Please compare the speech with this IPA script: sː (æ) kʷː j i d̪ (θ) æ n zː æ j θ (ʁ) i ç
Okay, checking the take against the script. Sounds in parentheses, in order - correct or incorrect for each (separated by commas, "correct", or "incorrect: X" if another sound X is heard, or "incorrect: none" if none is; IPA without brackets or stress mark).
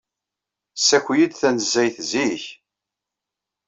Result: correct, correct, incorrect: z